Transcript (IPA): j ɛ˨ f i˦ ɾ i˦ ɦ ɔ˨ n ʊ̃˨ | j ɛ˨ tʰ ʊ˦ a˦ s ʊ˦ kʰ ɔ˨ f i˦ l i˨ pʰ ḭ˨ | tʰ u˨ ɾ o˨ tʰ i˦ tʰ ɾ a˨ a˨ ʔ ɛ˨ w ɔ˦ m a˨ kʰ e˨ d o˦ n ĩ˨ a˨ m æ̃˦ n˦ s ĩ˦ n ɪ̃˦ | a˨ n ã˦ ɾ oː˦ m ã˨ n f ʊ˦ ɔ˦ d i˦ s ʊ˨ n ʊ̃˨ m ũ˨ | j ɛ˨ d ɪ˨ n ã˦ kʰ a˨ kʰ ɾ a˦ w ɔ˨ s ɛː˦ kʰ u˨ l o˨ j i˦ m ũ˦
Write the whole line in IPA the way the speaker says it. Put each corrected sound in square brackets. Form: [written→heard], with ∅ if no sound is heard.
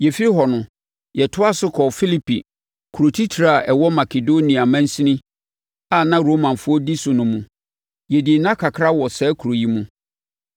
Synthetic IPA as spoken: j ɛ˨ f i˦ ɾ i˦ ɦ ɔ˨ n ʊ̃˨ | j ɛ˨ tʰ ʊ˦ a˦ s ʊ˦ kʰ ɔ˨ f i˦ l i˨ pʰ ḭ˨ | [tʰ→kʰ] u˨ ɾ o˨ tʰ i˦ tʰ ɾ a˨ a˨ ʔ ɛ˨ w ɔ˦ m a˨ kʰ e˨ d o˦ n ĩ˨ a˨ m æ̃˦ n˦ s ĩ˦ n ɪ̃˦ | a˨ n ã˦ ɾ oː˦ m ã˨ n f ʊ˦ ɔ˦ d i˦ s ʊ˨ n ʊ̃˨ m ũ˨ | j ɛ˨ d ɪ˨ n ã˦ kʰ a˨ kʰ ɾ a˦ w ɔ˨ s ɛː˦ kʰ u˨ [l→ɾ] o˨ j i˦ m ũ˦

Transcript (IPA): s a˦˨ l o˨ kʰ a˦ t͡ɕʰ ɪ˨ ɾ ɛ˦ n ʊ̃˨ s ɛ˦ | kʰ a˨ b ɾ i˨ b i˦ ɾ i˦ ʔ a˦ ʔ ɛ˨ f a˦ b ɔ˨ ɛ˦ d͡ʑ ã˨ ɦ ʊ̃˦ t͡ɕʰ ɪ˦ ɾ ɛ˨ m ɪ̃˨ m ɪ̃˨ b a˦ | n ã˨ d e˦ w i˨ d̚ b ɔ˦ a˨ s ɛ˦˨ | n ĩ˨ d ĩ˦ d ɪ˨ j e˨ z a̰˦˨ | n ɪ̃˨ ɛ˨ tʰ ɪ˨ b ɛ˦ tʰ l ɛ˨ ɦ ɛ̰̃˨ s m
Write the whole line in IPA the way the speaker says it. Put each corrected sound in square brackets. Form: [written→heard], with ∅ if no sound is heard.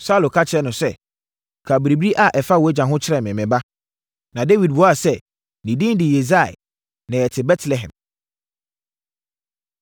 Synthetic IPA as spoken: s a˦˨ l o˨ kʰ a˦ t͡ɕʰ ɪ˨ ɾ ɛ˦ n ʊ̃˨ s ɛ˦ | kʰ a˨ b ɾ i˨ b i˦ ɾ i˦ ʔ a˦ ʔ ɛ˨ f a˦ [b→w] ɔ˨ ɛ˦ d͡ʑ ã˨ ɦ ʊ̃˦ t͡ɕʰ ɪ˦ ɾ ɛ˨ m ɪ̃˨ m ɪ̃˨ b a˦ | n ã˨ d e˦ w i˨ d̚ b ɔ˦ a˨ s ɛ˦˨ | n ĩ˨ d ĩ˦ d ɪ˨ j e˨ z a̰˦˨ | n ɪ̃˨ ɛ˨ tʰ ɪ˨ b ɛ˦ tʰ l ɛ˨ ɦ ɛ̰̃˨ [s→∅] m

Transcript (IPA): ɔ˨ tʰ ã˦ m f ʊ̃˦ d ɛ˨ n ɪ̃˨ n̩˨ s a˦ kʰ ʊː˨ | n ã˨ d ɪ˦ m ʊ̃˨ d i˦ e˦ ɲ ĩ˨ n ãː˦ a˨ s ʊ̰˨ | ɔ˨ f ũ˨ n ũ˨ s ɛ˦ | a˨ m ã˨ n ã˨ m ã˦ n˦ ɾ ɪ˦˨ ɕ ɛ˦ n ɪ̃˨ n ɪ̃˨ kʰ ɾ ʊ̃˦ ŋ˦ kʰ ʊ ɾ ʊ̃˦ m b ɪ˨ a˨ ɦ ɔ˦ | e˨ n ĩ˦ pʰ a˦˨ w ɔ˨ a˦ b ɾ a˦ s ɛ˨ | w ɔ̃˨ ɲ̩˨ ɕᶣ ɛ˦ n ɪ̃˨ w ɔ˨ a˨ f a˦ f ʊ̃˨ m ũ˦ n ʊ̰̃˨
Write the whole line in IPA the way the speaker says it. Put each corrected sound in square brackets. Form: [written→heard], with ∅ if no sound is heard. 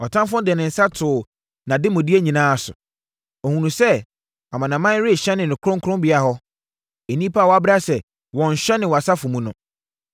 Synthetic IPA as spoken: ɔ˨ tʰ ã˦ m f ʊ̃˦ d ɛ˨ n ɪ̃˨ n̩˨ s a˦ [kʰ→tʰ] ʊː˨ | n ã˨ d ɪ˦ m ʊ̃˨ d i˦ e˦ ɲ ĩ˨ n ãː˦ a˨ s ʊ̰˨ | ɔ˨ [f→h] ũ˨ n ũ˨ s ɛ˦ | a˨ m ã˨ n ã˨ m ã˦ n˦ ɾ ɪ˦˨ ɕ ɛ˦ n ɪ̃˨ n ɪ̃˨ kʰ ɾ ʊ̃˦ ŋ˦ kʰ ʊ ɾ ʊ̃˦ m b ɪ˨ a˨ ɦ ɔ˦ | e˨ n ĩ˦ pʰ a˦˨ w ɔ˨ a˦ b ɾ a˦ s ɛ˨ | w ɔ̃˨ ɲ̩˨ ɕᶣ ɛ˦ n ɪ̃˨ w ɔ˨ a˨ [f→s] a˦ f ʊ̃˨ m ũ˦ n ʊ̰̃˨

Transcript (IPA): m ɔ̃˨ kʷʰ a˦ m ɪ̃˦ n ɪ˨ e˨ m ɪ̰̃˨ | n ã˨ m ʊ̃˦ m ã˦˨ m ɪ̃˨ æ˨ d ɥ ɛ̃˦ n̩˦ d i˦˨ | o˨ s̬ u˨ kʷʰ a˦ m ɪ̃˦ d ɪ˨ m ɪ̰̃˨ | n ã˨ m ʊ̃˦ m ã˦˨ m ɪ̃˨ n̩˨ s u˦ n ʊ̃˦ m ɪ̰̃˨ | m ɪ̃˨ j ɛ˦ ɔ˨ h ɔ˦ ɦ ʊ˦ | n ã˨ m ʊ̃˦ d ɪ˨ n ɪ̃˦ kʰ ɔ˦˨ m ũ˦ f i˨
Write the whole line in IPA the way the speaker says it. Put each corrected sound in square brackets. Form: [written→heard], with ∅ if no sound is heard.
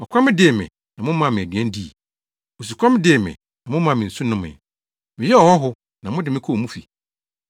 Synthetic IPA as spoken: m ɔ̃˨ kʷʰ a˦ m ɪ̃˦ [n→d] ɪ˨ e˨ m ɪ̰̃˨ | n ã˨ m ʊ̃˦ m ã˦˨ m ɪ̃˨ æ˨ d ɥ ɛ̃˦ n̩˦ d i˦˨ | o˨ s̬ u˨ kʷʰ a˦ m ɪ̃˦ d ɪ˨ m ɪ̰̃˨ | n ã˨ m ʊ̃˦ m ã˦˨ m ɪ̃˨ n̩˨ s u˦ n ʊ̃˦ m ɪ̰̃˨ | m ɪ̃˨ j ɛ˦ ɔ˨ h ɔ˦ ɦ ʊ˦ | n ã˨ m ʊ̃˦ d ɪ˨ [n→m] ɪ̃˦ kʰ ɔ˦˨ m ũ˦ f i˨

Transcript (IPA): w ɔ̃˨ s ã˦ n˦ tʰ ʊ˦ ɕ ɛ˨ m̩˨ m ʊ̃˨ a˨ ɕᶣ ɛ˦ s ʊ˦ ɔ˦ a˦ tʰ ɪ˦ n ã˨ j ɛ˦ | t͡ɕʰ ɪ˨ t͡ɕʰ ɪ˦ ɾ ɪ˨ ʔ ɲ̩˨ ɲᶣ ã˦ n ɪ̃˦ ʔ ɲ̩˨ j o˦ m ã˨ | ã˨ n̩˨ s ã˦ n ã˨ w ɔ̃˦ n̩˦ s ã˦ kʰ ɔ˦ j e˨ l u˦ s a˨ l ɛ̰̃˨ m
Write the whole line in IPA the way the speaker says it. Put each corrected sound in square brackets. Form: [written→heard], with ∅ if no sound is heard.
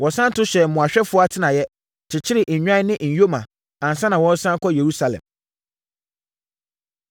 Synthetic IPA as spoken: w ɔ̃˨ s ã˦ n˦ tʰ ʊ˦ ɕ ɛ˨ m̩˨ m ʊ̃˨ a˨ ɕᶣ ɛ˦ [s→f] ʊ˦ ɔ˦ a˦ tʰ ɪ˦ n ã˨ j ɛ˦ | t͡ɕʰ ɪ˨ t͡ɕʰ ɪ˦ ɾ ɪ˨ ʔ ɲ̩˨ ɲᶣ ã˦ n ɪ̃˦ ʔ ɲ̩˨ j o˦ m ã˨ | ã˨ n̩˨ s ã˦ n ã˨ w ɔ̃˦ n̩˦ s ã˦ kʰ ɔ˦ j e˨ [l→ɾ] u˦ s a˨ l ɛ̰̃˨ m

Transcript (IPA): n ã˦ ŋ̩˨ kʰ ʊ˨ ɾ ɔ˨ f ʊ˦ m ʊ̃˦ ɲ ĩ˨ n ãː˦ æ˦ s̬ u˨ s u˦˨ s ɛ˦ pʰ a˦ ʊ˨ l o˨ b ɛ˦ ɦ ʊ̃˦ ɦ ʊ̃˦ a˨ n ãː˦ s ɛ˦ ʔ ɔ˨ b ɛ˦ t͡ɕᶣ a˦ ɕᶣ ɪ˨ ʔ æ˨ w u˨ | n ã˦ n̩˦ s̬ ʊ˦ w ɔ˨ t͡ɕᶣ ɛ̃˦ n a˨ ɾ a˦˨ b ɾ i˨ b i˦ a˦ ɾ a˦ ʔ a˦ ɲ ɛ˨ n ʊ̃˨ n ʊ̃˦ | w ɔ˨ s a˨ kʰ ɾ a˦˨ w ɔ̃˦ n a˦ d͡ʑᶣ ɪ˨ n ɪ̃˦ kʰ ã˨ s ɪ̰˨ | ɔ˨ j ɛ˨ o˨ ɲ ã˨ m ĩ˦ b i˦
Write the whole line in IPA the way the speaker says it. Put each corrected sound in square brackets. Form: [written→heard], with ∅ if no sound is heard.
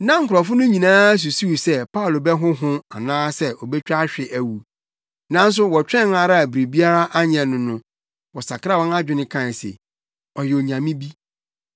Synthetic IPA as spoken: n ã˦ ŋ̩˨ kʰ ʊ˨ ɾ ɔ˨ f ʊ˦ [m→n] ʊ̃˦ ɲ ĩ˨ n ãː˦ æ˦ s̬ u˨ s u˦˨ s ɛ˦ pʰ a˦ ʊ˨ l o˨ b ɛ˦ ɦ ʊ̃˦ ɦ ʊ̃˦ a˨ n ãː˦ s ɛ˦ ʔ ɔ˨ b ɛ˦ t͡ɕᶣ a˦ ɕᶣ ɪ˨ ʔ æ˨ w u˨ | n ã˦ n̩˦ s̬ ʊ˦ w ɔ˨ t͡ɕᶣ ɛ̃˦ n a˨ ɾ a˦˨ b ɾ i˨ b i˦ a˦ ɾ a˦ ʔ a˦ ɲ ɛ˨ n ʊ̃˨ n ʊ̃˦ | w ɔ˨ s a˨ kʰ ɾ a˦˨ w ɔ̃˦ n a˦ d͡ʑᶣ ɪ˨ n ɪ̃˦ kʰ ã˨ s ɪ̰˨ | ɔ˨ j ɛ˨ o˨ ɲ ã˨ m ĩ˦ b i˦

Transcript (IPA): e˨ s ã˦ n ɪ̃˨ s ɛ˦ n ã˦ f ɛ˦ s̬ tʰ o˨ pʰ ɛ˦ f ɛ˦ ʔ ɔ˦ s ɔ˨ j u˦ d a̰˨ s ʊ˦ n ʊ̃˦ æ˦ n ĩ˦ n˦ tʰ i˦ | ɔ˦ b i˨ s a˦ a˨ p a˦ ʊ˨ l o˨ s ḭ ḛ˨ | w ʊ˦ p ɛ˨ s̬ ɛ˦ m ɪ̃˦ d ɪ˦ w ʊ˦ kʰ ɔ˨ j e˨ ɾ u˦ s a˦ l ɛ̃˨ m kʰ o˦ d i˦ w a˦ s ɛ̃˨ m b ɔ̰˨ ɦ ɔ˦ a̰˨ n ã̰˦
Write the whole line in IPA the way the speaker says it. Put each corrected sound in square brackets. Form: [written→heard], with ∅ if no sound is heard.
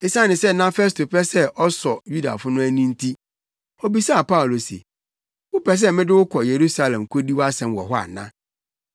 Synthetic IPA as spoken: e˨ s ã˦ n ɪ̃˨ s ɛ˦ n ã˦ f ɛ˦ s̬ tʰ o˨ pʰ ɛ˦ [f→s] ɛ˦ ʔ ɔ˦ s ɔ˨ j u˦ d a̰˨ [s→f] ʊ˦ n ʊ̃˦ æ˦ n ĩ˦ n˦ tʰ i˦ | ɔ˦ b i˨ s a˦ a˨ p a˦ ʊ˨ l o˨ s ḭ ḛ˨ | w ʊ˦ p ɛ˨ s̬ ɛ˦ m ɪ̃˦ d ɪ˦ w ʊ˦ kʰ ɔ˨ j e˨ ɾ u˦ s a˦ l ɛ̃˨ m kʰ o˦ d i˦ w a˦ s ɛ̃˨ m [b→w] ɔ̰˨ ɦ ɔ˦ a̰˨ n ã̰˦

